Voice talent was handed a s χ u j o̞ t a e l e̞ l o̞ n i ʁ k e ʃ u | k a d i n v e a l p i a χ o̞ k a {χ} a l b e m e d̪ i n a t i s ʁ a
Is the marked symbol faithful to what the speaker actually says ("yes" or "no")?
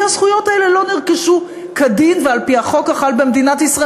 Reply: yes